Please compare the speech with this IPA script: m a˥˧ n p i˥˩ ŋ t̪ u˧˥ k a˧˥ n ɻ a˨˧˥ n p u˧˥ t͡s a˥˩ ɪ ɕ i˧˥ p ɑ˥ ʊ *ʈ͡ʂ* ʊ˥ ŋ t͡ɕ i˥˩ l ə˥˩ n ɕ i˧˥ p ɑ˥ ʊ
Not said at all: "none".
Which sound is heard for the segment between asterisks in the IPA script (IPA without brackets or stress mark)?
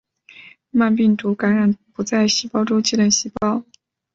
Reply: ʈ͡ʂ